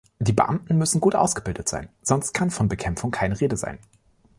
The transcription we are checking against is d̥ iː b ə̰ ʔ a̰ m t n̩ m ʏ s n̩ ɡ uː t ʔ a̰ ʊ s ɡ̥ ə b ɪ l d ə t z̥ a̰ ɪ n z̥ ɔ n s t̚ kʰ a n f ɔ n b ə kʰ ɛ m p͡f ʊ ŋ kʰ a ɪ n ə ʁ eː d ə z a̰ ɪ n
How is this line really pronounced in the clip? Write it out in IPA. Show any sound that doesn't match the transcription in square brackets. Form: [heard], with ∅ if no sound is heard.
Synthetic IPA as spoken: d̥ iː b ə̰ ʔ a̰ m t n̩ m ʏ s n̩ ɡ uː t ʔ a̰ ʊ s ɡ̥ ə b ɪ l d ə t z̥ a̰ ɪ n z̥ ɔ n s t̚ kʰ a n f ɔ n b ə kʰ ɛ m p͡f ʊ ŋ kʰ a ɪ n ə ʁ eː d ə z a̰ ɪ n